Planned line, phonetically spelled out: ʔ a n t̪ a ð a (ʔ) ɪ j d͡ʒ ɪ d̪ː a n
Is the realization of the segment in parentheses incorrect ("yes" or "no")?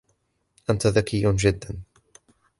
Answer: yes